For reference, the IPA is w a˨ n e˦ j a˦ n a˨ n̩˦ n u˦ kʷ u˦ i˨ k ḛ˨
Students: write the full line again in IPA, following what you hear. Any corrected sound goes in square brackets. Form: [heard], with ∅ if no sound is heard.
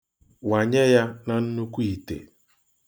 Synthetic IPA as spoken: w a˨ [ɲ] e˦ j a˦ n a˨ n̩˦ n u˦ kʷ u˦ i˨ [t] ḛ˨